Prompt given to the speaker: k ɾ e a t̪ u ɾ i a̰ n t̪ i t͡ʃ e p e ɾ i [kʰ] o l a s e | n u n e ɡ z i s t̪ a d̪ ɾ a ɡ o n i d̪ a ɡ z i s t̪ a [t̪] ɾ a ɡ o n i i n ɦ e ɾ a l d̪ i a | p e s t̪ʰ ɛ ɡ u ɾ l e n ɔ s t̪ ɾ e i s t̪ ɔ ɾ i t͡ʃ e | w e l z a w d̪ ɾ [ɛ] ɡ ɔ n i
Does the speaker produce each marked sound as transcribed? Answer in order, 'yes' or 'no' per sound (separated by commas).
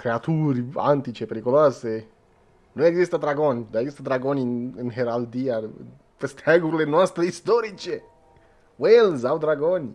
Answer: no, no, no